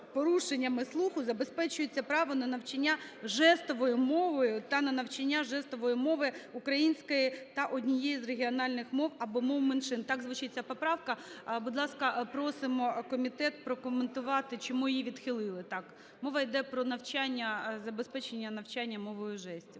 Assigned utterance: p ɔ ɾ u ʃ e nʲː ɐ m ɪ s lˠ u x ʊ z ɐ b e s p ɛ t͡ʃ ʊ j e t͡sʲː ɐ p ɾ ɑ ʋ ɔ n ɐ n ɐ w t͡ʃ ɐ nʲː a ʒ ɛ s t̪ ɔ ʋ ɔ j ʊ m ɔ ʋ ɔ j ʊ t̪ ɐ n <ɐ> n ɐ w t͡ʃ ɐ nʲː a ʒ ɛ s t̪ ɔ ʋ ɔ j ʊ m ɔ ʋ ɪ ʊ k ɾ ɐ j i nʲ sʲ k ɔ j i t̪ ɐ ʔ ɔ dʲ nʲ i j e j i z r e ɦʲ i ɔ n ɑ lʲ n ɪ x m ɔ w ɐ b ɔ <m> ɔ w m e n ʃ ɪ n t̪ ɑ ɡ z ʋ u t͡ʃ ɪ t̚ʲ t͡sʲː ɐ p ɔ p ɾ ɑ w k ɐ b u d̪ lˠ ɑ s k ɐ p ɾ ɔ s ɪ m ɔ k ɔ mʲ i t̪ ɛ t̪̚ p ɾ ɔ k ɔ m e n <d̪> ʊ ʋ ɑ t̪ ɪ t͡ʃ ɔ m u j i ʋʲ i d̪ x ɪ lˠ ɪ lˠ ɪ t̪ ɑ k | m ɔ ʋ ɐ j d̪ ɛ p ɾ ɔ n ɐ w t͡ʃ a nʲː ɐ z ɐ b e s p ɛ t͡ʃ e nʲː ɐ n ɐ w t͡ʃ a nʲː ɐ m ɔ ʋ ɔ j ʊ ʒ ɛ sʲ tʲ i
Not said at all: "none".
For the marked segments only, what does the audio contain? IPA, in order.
ɐ, m, t̪

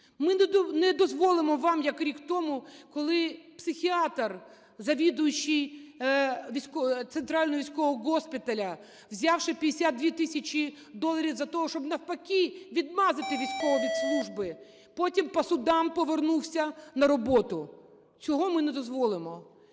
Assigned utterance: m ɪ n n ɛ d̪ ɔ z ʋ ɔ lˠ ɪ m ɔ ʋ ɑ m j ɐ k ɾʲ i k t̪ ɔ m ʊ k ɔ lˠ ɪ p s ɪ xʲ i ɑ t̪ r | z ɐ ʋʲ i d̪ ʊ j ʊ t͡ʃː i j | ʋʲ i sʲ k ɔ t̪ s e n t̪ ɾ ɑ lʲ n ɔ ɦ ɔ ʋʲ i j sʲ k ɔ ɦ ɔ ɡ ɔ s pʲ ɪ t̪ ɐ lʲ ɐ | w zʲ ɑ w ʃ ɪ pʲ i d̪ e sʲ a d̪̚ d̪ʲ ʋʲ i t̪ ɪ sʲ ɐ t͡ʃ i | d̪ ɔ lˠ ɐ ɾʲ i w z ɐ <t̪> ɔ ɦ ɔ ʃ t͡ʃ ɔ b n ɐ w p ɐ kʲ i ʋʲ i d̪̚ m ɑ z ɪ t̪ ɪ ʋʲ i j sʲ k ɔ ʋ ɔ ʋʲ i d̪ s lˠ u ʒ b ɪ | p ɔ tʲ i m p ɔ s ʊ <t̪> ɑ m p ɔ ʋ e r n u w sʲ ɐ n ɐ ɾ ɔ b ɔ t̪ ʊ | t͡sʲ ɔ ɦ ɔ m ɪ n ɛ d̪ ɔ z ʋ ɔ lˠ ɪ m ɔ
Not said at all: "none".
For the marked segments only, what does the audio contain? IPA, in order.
t̪, d̪

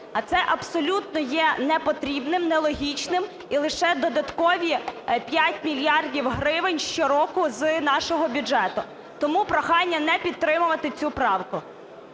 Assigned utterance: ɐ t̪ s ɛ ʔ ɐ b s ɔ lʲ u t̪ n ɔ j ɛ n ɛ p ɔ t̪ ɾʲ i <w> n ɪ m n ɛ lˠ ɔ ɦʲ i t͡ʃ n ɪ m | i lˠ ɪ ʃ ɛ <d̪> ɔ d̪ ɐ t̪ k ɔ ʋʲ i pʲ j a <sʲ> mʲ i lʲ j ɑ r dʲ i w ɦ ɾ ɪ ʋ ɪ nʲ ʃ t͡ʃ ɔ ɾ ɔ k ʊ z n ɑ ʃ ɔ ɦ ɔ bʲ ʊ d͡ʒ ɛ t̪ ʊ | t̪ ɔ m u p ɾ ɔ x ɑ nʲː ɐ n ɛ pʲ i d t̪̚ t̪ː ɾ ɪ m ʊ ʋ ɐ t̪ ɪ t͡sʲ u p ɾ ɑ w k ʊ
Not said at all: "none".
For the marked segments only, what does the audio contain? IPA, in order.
b, d̪, tʲ

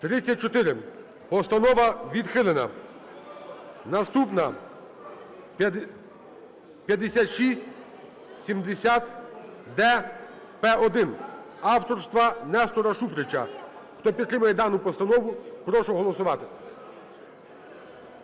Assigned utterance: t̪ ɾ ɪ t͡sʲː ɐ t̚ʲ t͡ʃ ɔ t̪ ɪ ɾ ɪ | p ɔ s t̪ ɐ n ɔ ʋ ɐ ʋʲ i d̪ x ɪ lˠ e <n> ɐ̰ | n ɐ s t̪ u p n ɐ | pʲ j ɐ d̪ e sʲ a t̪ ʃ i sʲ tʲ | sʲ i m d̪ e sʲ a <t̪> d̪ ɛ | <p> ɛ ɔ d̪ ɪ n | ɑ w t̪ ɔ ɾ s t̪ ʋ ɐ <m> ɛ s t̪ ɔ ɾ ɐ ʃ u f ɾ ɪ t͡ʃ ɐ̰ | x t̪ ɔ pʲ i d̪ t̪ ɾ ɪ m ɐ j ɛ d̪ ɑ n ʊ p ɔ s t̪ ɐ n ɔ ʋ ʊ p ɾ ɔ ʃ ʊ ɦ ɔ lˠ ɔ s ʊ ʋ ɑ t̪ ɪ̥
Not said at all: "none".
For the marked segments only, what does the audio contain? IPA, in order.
n, t̪, p, n

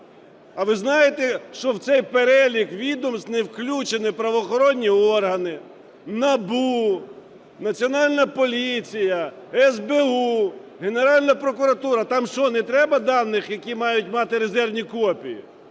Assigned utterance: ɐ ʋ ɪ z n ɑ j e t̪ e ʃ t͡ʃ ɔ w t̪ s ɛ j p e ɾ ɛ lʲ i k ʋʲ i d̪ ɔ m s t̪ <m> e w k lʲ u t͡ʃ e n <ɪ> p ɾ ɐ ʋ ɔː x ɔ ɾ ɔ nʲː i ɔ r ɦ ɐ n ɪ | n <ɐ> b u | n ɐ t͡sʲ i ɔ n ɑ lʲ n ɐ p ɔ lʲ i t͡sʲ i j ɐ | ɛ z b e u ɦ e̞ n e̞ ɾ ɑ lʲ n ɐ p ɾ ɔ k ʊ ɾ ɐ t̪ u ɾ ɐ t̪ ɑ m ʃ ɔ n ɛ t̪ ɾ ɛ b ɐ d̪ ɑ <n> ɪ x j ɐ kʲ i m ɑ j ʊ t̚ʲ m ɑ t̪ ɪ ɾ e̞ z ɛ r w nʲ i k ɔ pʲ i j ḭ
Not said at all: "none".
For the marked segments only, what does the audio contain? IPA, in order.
n, ɪ, ɐ, nː

